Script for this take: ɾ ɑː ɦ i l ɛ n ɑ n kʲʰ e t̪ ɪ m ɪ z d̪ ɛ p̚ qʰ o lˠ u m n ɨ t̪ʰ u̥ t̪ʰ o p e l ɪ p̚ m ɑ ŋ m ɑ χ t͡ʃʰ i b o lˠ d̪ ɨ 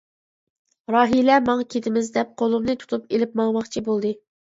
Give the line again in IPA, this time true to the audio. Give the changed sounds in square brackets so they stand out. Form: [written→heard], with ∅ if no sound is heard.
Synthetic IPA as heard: ɾ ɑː ɦ i l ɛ [n→m] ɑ [n→ŋ] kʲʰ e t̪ ɪ m ɪ z d̪ ɛ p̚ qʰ o lˠ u m n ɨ t̪ʰ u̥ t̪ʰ [o→u] p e l ɪ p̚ m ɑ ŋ m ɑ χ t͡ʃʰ i b o lˠ d̪ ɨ